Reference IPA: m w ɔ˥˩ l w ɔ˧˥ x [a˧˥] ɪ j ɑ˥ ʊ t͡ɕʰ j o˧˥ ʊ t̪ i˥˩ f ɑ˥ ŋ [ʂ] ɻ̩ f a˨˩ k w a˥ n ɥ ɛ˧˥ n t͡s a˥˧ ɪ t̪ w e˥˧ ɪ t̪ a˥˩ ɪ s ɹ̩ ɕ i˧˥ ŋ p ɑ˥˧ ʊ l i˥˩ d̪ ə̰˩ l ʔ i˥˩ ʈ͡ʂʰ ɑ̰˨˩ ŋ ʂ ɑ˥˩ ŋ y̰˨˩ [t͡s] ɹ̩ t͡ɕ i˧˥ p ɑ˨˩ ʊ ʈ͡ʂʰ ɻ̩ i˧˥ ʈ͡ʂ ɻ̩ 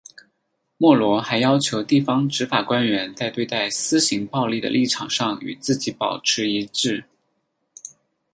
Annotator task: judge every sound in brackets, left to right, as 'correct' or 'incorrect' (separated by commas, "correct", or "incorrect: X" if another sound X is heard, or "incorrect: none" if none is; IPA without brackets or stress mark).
correct, incorrect: ʈ͡ʂ, correct